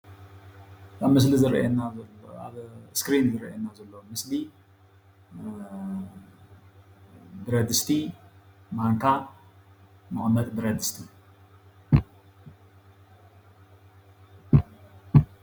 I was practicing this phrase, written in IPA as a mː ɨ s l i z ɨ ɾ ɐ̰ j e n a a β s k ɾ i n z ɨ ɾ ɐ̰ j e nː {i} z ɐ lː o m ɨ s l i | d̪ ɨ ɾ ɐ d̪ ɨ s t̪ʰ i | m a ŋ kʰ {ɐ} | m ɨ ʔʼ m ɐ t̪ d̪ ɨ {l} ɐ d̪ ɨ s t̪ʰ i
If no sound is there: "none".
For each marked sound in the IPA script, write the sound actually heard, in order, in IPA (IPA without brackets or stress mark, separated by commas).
a, a, ɾ